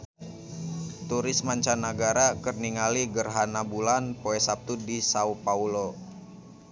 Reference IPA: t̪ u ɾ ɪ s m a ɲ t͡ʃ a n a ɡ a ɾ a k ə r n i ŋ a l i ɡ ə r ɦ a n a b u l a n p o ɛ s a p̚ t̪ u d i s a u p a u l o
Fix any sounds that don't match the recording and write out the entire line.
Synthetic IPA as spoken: t̪ u ɾ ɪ s m a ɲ t͡ʃ a n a ɡ a ɾ a k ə r n i ŋ a l i ɡ ə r ɦ a n a b u l a n p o ɛ s a p̚ t̪ u d i s a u p a u l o

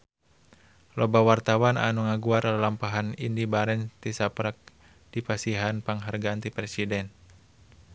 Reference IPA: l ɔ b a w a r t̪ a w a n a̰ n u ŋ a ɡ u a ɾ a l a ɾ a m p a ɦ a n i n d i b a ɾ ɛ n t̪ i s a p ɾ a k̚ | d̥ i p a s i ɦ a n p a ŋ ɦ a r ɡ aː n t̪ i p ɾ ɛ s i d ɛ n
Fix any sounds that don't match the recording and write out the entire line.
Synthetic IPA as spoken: l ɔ b a w a r t̪ a w a n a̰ n u ŋ a ɡ u a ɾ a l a l a m p a ɦ a n i n d i b a ɾ ɛ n t̪ i s a p ɾ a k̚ | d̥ i p a s i ɦ a n p a ŋ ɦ a r ɡ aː n t̪ i p ɾ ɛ s i d ɛ n

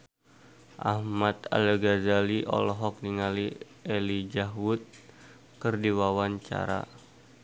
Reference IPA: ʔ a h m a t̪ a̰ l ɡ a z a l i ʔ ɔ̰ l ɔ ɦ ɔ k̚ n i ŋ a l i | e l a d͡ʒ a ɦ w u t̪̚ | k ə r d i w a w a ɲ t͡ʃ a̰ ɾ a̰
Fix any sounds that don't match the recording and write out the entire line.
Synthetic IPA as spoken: ʔ a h m a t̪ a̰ l ɡ a z a l i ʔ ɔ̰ l ɔ ɦ ɔ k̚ n i ŋ a l i | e l i d͡ʒ a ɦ w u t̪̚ | k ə r d i w a w a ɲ t͡ʃ a̰ ɾ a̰

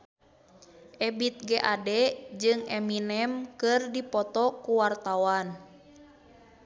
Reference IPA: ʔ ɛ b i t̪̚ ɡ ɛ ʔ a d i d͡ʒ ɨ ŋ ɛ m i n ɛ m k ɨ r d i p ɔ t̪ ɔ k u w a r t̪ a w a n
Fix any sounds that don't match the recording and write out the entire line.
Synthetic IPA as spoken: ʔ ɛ b i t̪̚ ɡ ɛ ʔ a d ɛ d͡ʒ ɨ ŋ ɛ m i n ɛ m k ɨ r d i p ɔ t̪ ɔ k u w a r t̪ a w a n

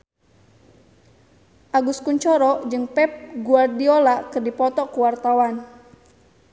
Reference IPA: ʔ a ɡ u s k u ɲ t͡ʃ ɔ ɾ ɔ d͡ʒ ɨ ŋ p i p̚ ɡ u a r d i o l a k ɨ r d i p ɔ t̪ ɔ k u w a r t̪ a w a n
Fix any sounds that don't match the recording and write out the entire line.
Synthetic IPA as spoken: ʔ a ɡ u s k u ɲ t͡ʃ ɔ ɾ ɔ d͡ʒ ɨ ŋ p ɛ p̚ ɡ u a r d i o l a k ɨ r d i p ɔ t̪ ɔ k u w a r t̪ a w a n

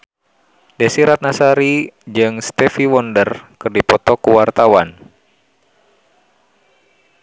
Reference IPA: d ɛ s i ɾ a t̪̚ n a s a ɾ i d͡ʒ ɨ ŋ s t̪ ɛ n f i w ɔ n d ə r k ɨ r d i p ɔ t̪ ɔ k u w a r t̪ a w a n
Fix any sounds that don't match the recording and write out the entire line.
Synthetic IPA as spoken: d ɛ s i ɾ a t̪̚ n a s a ɾ i d͡ʒ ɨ ŋ s t̪ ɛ f i w ɔ n d ə r k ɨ r d i p ɔ t̪ ɔ k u w a r t̪ a w a n

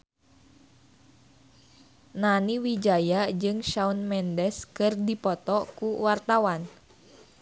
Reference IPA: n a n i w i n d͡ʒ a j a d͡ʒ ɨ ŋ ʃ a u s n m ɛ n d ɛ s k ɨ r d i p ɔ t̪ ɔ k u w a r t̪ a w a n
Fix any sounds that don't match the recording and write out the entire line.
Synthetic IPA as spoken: n a n i w i d͡ʒ a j a d͡ʒ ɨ ŋ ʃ a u n m ɛ n d ɛ s k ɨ r d i p ɔ t̪ ɔ k u w a r t̪ a w a n

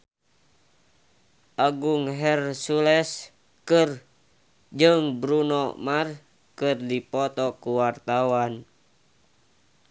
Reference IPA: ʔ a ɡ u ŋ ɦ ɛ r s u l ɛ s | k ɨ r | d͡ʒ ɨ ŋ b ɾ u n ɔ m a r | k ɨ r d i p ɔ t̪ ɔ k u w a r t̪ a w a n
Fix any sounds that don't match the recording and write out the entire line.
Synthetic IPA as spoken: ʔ a ɡ u ŋ ɦ ɛ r s u l ɛ s | k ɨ r | d͡ʒ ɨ ŋ b ɾ u n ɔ m a r | k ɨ r d i p ɔ t̪ ɔ k u w a r t̪ a w a n

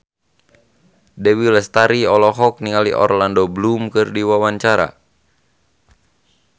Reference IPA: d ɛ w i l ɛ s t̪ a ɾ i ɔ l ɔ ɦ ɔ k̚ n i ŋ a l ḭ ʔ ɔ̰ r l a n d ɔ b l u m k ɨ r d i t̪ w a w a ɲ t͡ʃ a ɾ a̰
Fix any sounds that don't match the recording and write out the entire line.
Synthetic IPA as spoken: d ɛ w i l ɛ s t̪ a ɾ i ɔ l ɔ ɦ ɔ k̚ n i ŋ a l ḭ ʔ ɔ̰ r l a n d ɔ b l u m k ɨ r d i w a w a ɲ t͡ʃ a ɾ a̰

